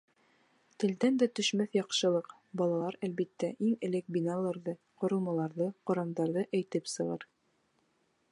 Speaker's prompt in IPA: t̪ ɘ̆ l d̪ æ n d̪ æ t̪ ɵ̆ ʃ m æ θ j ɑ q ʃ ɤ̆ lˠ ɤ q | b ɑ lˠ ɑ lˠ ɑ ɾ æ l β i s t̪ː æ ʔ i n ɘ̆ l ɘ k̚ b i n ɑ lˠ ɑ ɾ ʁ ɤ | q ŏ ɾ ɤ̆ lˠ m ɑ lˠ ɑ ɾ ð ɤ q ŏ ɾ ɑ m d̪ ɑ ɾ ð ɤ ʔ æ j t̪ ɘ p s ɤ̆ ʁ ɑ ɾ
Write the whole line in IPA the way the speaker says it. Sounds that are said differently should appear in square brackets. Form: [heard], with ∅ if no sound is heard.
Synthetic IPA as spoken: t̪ ɘ̆ l d̪ æ n d̪ æ t̪ ɵ̆ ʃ m æ θ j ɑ q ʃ ɤ̆ lˠ ɤ q | b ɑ lˠ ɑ lˠ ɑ ɾ æ l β i [∅] t̪ː æ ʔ i [ŋ] ɘ̆ l ɘ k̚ b i n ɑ lˠ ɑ ɾ [ð] ɤ | q ŏ ɾ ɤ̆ lˠ m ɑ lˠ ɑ ɾ ð ɤ q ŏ ɾ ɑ m d̪ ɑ ɾ ð ɤ ʔ æ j t̪ ɘ p s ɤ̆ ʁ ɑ ɾ